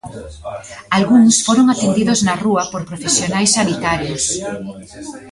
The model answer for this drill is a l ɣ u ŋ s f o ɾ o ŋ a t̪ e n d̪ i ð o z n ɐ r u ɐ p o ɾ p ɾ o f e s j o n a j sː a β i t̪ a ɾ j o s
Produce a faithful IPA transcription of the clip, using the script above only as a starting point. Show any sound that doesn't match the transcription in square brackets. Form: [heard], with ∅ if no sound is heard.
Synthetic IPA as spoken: a l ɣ u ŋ s f o ɾ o ŋ a t̪ e n d̪ i ð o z n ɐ r u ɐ p o ɾ p ɾ o f e s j o n a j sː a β i t̪ a ɾ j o s